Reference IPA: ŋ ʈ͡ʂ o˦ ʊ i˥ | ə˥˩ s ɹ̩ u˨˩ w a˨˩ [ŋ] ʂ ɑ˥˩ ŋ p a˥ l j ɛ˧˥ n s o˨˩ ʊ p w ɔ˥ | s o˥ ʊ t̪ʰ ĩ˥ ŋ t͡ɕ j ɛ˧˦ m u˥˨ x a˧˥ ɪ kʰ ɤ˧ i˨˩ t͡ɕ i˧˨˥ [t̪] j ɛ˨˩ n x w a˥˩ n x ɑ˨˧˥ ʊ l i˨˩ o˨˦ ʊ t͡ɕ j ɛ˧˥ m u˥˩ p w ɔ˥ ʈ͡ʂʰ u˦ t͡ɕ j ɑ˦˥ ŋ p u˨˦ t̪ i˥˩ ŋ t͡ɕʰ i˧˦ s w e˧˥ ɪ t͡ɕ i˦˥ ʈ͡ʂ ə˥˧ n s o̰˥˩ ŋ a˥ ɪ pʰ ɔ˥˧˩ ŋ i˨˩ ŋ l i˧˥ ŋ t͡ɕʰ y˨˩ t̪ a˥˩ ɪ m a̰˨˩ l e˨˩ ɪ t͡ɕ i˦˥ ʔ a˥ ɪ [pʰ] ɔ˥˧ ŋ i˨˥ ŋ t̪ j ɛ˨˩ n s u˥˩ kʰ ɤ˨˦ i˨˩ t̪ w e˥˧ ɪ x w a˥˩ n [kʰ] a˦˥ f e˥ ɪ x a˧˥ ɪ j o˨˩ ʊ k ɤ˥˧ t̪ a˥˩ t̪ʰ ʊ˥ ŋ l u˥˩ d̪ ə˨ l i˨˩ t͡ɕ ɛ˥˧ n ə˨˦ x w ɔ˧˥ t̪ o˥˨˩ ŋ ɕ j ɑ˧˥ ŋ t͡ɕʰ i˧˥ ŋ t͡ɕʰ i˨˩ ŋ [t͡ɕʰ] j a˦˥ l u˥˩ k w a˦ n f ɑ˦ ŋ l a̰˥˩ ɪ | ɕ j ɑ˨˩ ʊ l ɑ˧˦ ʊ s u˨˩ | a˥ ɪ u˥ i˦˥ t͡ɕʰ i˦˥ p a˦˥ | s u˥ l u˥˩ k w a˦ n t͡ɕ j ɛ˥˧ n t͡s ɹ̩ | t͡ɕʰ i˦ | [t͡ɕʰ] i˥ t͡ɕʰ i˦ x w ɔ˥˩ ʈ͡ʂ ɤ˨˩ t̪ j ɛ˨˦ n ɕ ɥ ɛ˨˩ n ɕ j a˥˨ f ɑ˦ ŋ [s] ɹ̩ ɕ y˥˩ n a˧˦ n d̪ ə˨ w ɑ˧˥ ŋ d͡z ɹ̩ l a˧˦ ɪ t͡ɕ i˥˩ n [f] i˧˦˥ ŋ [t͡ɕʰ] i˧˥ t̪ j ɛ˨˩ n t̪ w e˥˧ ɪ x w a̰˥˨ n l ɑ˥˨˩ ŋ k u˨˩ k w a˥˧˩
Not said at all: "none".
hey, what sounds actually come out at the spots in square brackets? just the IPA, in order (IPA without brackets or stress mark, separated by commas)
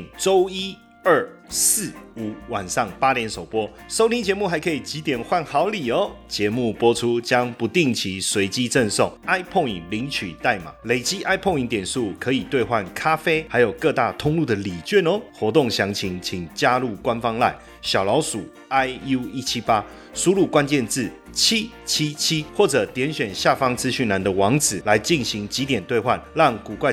n, t̪, pʰ, kʰ, t͡ɕ, t͡ɕʰ, t͡s, ɕ, t͡ɕ